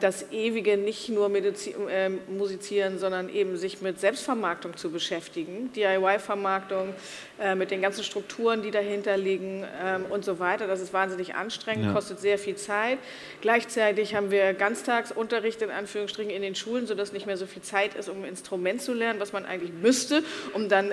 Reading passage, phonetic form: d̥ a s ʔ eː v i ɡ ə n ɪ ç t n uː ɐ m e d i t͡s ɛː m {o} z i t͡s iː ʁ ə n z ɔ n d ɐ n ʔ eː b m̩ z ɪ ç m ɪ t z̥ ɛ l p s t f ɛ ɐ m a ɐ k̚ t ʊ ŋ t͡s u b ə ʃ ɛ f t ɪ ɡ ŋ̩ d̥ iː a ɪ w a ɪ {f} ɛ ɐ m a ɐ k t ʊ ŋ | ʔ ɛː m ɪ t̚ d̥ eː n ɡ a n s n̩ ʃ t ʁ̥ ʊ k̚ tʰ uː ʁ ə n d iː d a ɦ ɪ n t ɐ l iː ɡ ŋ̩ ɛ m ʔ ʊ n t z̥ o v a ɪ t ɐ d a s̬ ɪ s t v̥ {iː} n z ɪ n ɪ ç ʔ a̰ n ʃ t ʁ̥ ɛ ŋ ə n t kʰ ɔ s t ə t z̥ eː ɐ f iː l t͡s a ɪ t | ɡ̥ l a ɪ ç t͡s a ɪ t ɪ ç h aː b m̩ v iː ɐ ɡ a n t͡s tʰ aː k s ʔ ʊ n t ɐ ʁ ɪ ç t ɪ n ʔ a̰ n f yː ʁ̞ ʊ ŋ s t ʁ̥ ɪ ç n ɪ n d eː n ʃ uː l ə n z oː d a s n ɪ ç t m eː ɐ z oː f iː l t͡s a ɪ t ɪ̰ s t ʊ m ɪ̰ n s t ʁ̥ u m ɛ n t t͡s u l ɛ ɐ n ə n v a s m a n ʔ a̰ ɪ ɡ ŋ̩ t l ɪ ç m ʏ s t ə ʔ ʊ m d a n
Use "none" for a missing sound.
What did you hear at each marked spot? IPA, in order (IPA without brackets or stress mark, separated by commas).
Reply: u, f, aː